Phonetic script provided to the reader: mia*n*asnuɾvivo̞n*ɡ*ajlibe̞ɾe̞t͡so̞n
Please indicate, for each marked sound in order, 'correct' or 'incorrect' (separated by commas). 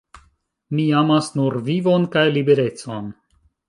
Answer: incorrect, incorrect